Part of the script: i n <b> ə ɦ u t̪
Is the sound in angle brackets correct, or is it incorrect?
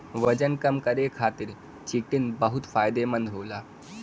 correct